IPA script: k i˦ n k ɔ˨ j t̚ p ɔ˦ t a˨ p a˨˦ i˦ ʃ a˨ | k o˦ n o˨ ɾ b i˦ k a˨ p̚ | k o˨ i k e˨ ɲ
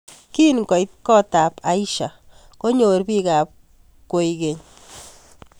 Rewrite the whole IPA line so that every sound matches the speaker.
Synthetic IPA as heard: k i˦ n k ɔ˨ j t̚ k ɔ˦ t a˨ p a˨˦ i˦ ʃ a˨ | k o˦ ɲ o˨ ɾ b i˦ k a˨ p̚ | k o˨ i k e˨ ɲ